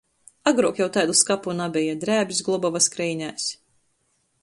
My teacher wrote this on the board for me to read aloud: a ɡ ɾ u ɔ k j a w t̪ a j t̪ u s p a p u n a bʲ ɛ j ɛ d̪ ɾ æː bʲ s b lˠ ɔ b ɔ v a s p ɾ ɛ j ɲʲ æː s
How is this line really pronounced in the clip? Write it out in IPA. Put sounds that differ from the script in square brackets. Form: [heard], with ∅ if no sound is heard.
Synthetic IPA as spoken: a ɡ ɾ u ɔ k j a w t̪ a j [d̪] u s [k] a p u n a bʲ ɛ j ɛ d̪ ɾ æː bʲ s [ɡ] lˠ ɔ b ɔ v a s [k] ɾ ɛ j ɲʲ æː s